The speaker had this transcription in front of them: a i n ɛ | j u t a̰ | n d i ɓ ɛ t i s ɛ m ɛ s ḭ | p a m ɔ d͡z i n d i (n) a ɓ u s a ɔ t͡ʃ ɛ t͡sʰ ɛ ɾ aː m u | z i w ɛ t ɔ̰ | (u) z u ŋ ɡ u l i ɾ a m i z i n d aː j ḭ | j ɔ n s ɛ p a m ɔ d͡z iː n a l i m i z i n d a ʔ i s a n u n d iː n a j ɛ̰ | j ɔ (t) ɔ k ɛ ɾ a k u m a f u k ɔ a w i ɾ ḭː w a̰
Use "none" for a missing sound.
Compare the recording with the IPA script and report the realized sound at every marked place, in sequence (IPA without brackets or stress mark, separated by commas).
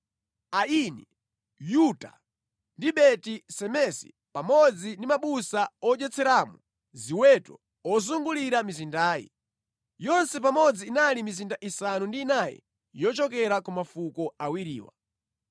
m, ɔ, t͡ʃ